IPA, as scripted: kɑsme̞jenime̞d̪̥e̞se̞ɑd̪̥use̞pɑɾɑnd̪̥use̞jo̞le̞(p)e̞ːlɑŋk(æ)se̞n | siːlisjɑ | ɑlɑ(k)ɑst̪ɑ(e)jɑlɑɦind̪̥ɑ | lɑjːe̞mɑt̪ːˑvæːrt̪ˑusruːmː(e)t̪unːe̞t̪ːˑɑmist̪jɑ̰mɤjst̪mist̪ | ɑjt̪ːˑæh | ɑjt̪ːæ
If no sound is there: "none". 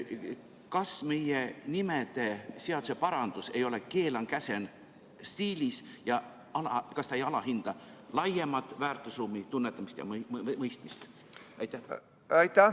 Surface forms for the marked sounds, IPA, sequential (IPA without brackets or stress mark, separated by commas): k, æ, k, e, i